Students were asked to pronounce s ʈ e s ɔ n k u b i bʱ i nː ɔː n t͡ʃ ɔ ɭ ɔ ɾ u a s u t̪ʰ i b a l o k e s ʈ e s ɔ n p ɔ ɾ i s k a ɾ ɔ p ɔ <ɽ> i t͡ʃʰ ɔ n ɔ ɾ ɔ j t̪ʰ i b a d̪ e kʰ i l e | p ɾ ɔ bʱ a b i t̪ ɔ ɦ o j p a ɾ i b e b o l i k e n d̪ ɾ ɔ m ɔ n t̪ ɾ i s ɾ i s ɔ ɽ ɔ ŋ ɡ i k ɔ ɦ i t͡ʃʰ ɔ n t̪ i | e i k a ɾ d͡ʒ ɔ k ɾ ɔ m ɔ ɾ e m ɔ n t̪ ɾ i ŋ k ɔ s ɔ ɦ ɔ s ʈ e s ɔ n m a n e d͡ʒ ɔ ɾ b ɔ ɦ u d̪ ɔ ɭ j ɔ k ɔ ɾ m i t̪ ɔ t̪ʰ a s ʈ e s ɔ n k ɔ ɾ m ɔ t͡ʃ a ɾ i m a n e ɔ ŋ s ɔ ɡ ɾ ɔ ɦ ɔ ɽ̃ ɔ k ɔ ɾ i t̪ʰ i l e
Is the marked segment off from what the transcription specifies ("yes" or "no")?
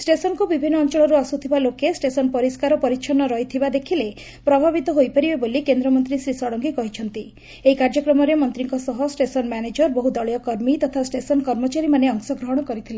yes